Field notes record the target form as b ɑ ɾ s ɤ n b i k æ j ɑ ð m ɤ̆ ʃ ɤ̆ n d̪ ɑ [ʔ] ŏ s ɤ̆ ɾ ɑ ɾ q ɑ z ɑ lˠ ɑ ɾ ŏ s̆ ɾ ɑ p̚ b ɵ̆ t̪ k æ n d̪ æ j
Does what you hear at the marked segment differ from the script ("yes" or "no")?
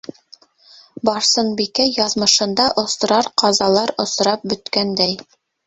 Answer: no